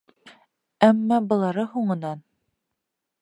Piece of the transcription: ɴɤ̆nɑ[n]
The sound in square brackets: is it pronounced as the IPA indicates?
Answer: yes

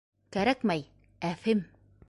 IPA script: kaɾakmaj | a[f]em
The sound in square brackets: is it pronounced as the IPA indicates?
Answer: yes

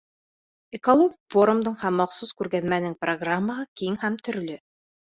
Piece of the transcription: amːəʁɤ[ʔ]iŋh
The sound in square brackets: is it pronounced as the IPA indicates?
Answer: no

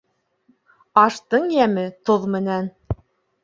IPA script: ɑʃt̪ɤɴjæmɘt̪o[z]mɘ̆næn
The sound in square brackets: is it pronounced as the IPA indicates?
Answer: no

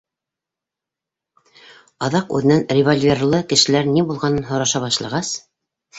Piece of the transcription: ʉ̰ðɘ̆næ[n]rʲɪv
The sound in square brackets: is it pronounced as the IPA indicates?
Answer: yes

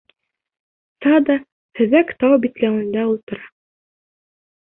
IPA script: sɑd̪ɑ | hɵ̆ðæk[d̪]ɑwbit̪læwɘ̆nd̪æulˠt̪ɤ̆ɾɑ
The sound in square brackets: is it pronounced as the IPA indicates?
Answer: no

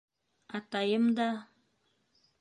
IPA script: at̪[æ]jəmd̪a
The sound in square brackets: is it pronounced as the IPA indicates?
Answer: no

